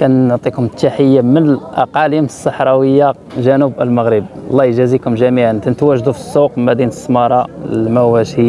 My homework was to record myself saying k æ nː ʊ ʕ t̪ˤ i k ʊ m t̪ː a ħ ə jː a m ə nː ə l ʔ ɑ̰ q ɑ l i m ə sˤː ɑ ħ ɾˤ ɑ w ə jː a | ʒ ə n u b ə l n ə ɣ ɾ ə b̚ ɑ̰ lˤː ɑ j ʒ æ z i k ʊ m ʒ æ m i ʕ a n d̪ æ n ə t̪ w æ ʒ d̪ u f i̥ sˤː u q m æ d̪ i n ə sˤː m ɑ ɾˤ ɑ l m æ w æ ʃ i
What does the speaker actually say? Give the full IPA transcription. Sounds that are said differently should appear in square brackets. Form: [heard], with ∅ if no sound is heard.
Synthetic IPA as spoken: k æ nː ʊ ʕ t̪ˤ i k ʊ m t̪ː a ħ ə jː a m ə [n] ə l ʔ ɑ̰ q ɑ l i m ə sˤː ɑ ħ ɾˤ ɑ w ə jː a | ʒ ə n u b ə l [m] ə ɣ ɾ ə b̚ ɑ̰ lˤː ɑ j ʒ æ z i k ʊ m ʒ æ m i ʕ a n [t̪] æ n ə t̪ w æ ʒ d̪ u f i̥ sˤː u q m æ d̪ i n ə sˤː m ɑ ɾˤ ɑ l m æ w æ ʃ i